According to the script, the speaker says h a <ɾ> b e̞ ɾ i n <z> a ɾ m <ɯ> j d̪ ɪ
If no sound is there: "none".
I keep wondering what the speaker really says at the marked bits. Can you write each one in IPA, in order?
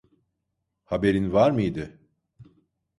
none, v, ɯ

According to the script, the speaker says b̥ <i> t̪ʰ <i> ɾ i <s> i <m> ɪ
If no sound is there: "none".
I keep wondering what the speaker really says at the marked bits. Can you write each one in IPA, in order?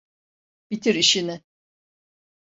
i, i, ʃ, n

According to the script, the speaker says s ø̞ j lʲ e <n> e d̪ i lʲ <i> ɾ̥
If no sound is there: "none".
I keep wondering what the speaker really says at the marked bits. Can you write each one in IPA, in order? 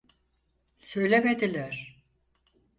m, æ

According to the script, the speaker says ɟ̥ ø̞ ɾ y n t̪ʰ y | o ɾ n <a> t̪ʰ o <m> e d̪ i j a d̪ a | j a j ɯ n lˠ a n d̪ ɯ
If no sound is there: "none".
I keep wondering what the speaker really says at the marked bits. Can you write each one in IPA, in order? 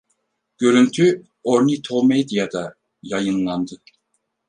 i, m

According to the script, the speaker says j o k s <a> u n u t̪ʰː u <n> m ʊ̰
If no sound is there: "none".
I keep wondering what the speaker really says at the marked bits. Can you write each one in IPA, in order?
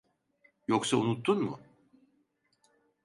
a, n

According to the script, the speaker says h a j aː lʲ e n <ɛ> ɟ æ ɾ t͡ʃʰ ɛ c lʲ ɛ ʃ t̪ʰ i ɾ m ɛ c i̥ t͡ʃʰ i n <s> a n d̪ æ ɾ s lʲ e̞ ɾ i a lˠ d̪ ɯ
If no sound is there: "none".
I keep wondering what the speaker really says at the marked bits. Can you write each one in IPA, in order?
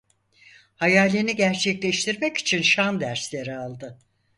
i, ʃ

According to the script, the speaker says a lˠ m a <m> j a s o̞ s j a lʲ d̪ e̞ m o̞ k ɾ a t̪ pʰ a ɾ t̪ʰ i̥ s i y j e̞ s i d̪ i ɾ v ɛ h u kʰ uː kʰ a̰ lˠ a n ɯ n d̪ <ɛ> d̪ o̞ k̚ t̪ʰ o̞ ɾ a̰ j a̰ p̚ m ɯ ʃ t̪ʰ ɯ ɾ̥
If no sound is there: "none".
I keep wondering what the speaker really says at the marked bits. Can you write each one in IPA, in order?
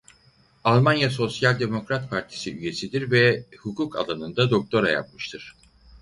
n, a

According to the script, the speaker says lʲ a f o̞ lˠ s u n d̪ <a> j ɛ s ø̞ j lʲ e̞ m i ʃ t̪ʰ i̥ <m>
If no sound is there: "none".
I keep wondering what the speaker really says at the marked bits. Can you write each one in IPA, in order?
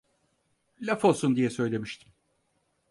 i, m

